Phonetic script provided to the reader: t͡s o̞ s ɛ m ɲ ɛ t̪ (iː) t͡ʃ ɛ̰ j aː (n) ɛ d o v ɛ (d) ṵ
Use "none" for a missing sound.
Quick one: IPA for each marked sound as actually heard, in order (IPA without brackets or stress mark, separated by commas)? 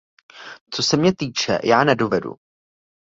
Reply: iː, n, d